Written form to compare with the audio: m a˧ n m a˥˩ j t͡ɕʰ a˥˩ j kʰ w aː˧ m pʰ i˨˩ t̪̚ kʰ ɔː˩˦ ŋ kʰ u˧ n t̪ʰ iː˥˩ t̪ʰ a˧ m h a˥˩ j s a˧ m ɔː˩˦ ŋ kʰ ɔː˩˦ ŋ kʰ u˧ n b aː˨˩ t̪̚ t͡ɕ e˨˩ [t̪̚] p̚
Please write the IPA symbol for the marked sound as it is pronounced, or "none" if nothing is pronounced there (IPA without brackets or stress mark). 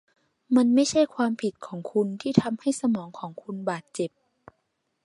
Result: none